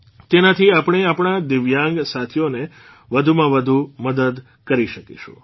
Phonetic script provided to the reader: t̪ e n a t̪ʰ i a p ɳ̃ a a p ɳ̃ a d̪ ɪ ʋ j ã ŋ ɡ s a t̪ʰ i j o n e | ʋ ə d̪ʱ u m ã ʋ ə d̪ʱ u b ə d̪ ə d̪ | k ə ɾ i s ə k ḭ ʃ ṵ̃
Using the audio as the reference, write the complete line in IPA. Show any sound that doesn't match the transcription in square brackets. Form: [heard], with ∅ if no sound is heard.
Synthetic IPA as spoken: t̪ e n a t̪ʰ i a p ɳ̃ [e] a p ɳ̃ a d̪ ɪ ʋ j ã ŋ ɡ s a t̪ʰ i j o n e | ʋ ə d̪ʱ u m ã ʋ ə d̪ʱ u [m] ə d̪ ə d̪ | k ə ɾ i [ʃ] ə k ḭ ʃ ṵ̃